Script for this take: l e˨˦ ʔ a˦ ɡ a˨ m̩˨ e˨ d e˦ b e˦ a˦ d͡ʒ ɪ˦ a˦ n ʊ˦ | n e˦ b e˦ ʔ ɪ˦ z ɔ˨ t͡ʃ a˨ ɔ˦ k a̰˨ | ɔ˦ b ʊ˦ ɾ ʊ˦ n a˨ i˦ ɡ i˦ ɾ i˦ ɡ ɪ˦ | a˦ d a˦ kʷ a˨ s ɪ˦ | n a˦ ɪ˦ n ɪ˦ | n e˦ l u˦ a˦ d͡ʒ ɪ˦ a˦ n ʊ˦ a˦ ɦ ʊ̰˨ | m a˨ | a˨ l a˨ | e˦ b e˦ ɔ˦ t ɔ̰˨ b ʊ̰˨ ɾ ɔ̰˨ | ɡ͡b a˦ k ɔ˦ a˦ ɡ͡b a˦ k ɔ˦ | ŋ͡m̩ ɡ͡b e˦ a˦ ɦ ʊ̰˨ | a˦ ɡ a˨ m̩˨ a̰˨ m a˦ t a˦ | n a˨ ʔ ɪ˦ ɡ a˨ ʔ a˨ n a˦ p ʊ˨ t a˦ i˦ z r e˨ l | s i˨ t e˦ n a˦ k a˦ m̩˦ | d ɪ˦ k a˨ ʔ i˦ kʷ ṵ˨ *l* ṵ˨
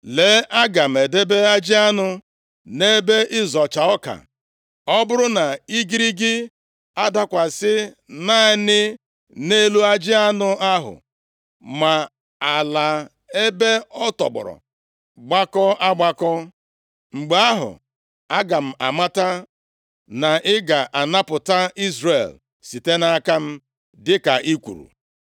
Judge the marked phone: incorrect: ɾ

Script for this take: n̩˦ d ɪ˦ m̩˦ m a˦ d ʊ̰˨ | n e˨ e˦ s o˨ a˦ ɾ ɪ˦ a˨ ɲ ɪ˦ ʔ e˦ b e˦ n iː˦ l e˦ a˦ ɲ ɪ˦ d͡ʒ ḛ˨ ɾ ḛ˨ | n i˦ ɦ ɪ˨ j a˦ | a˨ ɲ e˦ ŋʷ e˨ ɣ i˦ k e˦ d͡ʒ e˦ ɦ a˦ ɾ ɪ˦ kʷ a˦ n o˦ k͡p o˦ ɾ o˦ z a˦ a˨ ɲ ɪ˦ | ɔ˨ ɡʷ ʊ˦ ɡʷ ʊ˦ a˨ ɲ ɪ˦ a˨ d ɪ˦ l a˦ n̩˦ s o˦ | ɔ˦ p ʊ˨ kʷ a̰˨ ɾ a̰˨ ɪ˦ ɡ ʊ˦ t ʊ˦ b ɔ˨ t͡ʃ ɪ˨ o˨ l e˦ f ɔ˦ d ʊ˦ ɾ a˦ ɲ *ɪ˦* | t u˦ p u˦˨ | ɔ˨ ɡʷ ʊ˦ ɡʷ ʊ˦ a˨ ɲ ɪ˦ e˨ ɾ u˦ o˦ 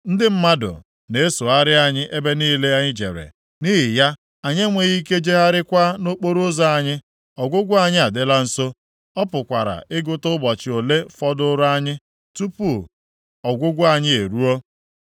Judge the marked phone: correct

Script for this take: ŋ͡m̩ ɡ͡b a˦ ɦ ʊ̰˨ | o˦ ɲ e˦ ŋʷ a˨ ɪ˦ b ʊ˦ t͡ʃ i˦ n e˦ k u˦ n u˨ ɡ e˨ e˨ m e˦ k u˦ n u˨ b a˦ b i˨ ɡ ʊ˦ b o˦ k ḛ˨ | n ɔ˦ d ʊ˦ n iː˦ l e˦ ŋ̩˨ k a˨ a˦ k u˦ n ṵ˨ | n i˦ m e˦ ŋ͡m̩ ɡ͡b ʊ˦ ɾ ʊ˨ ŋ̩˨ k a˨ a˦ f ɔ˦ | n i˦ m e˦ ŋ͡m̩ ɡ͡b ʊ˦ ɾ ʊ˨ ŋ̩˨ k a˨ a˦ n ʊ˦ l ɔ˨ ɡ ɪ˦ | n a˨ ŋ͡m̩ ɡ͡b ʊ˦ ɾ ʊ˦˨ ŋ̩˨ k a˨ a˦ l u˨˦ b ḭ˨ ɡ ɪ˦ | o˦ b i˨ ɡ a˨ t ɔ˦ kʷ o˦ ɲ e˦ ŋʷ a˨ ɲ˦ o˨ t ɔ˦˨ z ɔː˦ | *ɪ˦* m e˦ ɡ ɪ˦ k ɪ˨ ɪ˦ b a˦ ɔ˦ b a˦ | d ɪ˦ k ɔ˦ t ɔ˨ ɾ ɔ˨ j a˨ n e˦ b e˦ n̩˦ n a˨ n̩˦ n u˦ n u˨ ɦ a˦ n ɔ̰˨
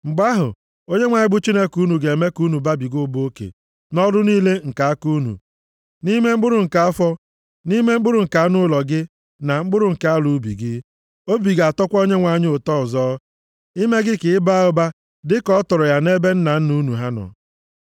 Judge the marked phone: incorrect: i˦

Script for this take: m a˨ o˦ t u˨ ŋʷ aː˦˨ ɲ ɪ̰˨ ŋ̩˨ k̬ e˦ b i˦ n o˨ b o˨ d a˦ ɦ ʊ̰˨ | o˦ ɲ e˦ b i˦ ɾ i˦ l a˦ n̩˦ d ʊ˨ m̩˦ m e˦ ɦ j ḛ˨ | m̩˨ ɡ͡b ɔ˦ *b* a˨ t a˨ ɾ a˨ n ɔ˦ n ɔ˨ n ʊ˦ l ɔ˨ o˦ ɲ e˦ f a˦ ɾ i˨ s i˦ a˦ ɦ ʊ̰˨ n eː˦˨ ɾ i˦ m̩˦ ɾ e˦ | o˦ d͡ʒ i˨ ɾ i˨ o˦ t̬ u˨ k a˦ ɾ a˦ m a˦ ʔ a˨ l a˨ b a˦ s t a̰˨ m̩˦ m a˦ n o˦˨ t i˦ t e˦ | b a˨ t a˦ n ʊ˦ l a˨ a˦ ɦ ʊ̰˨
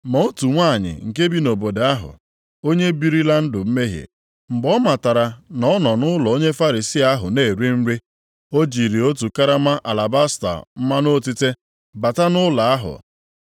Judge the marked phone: incorrect: m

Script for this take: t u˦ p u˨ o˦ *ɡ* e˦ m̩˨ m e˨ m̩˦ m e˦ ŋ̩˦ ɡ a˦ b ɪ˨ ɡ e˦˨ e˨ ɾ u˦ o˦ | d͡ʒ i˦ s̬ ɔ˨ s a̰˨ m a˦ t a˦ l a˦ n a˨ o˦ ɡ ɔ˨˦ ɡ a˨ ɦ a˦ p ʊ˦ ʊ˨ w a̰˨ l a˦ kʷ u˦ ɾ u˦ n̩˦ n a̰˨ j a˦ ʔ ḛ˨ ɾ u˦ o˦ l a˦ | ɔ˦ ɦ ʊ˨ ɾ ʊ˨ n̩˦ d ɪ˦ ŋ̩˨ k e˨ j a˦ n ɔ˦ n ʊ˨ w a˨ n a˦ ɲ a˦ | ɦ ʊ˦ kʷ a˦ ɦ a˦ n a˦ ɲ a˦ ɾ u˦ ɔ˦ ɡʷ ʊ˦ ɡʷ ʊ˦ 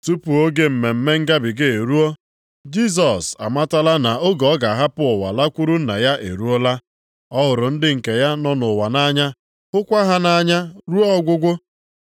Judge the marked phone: correct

